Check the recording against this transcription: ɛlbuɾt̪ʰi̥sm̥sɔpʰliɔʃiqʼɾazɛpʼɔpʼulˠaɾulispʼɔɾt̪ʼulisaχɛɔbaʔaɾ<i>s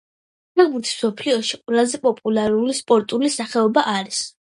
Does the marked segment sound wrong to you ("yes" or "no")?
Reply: no